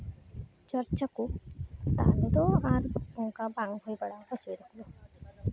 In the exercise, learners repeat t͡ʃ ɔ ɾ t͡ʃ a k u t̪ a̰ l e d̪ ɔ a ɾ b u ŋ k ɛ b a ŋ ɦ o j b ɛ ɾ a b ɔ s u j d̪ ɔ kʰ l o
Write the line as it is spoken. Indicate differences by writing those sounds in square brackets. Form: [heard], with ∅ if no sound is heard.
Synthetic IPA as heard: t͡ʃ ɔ ɾ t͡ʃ a k u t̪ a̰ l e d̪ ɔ a ɾ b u ŋ k [a] b a ŋ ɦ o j b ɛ [ɽ] a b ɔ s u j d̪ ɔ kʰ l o